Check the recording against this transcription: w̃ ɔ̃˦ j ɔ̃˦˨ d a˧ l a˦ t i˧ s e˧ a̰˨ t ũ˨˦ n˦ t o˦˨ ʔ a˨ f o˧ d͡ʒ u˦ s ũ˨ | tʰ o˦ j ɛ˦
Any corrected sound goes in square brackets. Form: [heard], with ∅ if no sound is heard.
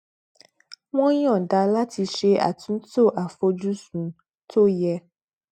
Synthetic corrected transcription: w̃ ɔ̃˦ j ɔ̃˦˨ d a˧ l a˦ t i˧ [ʃ] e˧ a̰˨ t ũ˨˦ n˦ t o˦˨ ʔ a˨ f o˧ d͡ʒ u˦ s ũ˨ | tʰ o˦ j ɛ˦